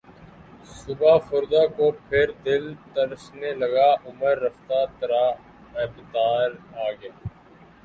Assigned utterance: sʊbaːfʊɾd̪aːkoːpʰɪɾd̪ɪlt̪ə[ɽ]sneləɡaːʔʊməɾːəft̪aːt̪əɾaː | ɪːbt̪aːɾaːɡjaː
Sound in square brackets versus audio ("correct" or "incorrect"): incorrect